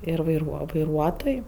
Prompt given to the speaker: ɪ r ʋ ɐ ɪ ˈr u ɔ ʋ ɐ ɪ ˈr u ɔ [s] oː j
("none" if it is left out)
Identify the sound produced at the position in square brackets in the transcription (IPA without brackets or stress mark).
t